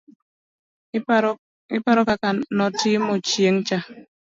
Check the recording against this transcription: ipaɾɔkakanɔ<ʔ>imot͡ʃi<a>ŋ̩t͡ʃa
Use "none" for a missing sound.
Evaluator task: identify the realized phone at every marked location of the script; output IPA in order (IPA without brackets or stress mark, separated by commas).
t, e